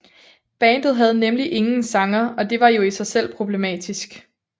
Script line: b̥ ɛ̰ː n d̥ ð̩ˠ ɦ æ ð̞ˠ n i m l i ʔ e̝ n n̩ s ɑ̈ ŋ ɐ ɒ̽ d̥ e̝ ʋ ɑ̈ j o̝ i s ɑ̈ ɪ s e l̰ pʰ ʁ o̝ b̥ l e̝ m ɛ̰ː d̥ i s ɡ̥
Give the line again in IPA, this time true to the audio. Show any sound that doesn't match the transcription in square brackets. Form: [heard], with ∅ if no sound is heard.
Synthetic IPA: b̥ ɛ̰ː n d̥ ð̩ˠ ɦ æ ð̞ˠ n [e] m l i ʔ e̝ [ŋ] n̩ s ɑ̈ ŋ ɐ ɒ̽ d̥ e̝ ʋ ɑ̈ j o̝ i s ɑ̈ ɪ s e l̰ pʰ ʁ o̝ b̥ l e̝ m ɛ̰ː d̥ i s ɡ̥